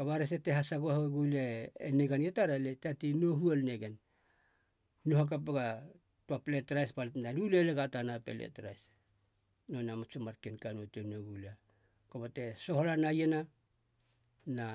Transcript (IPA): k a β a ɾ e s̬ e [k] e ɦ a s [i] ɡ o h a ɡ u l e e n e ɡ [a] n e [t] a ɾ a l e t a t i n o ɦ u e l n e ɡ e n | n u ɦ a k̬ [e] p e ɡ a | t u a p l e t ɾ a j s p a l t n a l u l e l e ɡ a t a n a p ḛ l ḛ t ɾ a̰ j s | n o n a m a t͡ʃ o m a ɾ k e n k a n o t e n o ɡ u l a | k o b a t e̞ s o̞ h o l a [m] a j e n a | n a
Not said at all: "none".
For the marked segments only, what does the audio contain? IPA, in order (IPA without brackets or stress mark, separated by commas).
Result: t, a, a, t, a, n